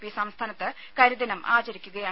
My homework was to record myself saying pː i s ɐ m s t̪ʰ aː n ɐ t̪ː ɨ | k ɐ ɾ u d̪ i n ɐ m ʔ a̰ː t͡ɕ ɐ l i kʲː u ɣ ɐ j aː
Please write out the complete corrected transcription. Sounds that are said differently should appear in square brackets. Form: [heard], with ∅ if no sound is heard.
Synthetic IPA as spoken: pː i s ɐ m s t̪ʰ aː n ɐ t̪ː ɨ | k ɐ ɾ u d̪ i n ɐ m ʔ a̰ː t͡ɕ ɐ [ɾ] i kʲː u ɣ ɐ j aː